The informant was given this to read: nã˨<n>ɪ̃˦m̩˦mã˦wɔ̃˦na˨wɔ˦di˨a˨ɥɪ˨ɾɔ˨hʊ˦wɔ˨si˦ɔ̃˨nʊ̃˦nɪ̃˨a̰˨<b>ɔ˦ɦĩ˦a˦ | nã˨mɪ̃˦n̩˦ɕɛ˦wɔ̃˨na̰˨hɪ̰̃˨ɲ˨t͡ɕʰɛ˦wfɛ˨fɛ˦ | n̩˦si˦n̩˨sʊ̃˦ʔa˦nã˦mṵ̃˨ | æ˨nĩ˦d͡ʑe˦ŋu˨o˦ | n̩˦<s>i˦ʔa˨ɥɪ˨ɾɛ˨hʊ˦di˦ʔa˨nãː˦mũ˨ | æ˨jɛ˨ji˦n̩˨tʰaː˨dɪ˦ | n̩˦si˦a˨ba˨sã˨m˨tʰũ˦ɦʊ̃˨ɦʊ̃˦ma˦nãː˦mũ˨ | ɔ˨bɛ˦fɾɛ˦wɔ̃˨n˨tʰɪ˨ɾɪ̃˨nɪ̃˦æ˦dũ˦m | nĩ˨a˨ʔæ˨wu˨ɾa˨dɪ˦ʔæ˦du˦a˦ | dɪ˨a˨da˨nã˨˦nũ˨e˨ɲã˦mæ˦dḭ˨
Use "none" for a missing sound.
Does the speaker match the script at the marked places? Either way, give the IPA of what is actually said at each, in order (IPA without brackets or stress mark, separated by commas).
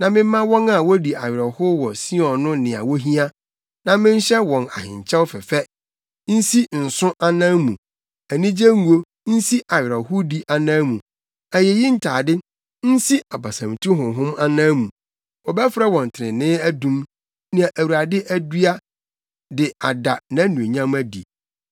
m, w, s